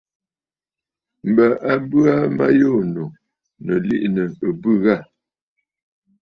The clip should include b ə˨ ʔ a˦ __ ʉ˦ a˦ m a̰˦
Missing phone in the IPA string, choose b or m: b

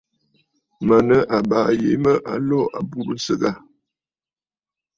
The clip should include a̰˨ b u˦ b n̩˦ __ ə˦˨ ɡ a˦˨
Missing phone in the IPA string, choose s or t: s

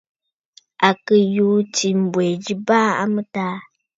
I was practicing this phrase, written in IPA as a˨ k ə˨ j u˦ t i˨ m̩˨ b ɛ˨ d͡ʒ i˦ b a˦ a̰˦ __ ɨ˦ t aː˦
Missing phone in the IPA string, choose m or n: m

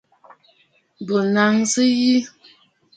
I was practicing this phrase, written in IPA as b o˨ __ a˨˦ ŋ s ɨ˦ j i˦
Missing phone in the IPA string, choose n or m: n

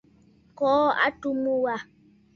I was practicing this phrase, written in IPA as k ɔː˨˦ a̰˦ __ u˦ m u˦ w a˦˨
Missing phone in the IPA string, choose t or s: t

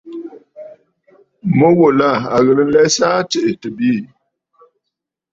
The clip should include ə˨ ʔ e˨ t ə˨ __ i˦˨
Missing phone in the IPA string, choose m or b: b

